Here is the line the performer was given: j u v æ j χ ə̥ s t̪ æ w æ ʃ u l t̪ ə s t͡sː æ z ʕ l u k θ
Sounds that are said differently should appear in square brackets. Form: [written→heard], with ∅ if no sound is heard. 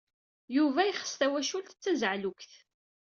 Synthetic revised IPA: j u v æ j χ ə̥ s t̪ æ w æ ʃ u l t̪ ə [s→∅] t͡sː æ z ʕ l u k θ